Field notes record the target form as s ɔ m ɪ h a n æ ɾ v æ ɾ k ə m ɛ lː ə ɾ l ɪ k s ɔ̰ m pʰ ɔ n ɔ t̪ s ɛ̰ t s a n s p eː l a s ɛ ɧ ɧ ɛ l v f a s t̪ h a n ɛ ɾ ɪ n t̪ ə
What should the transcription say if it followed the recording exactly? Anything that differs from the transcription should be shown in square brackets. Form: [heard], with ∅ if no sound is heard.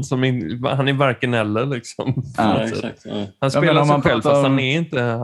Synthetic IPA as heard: s ɔ m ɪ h a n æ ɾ v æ ɾ k ə [n] ɛ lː ə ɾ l ɪ k s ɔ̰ m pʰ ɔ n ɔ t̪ s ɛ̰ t [h] a n s p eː l a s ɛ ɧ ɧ ɛ l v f a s t̪ h a n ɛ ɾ ɪ n t̪ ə